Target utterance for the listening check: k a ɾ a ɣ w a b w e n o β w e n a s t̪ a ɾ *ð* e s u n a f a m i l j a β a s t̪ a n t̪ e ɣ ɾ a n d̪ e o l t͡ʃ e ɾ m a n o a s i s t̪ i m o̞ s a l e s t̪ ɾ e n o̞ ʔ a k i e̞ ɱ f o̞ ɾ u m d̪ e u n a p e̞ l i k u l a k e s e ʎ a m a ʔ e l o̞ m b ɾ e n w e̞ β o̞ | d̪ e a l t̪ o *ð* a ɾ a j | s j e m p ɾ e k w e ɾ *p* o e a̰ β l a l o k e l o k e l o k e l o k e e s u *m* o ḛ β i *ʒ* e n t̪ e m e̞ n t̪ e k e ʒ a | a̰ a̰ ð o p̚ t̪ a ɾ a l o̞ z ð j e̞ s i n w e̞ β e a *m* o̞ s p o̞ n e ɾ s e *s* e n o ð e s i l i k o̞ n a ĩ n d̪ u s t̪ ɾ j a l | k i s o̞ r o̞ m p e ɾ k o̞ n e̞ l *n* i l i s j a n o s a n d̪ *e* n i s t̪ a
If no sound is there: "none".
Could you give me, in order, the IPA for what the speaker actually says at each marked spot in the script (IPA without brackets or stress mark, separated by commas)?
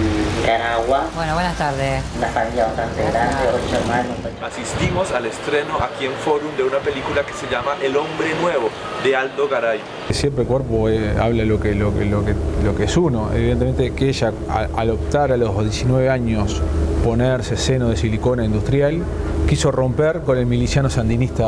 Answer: ð, ɣ, p, n, ð, ɲ, s, m, i